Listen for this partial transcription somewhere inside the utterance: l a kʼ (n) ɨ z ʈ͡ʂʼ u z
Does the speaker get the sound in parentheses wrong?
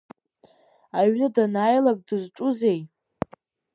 yes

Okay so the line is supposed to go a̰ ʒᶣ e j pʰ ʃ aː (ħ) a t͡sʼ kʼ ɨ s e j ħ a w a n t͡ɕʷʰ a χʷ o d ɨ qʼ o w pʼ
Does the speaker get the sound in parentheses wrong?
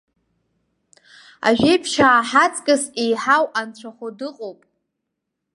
no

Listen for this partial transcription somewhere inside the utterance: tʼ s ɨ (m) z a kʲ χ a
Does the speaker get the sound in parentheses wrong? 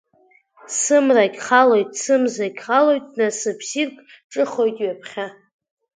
no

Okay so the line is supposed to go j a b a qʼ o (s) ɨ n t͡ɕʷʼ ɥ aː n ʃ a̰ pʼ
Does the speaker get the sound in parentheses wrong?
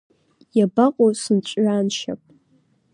no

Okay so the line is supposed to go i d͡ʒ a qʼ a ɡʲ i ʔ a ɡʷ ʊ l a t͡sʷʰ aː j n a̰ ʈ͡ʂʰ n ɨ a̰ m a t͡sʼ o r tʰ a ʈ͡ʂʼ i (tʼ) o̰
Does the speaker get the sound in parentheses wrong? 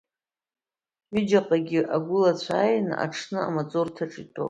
no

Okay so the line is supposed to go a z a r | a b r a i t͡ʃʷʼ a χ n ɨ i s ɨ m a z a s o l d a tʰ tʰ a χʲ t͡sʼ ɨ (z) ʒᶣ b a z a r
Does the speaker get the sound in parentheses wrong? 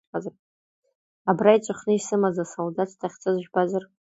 no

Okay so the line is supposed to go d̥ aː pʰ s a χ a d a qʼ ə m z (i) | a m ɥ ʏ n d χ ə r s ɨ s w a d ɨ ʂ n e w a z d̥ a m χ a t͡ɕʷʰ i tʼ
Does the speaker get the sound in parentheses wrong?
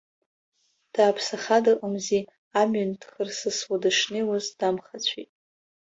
no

